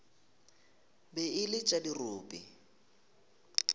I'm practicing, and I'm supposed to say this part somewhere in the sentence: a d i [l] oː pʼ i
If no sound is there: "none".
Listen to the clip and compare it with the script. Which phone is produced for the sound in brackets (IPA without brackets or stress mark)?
r